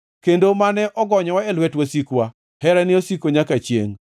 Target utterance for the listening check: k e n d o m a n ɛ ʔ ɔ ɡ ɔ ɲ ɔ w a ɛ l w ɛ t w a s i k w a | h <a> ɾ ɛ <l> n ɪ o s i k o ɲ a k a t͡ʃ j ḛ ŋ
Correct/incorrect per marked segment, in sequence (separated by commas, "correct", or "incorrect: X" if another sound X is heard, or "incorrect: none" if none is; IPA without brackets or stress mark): incorrect: ɛ, incorrect: none